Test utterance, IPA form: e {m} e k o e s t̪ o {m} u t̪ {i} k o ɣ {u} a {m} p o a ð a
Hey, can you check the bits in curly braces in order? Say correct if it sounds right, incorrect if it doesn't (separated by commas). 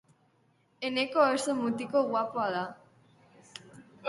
incorrect, correct, correct, incorrect, incorrect